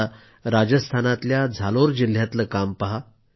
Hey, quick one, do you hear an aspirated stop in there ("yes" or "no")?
yes